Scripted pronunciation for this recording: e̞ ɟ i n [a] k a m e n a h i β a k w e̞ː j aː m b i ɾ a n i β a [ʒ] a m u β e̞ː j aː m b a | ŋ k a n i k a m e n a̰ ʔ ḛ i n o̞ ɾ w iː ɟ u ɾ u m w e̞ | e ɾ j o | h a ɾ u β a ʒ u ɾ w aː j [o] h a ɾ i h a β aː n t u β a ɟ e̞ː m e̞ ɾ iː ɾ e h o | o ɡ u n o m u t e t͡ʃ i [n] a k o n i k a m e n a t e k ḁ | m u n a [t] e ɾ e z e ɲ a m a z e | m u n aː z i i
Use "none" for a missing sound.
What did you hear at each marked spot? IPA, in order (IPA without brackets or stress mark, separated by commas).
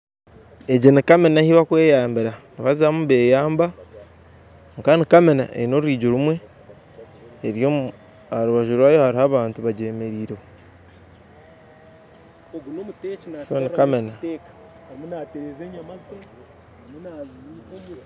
i, z, o, n, t